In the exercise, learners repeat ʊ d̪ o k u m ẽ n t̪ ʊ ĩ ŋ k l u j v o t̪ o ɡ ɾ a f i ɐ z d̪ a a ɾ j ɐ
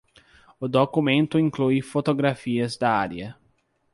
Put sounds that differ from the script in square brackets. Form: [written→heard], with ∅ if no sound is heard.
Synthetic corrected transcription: ʊ d̪ o k u m ẽ n t̪ ʊ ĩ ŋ k l u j [v→f] o t̪ o ɡ ɾ a f i ɐ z d̪ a a ɾ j ɐ